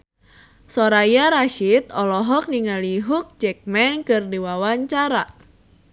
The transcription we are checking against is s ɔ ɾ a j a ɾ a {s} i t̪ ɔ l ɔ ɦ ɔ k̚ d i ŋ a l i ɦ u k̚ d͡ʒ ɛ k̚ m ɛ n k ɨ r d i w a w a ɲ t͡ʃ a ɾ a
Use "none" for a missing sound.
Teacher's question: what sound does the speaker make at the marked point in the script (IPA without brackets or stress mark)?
ʃ